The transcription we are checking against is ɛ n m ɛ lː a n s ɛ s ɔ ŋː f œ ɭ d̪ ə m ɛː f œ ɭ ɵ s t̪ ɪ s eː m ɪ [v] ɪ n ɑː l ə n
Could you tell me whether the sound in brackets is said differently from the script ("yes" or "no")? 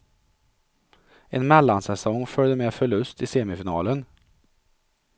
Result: yes